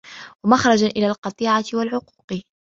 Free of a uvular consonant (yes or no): no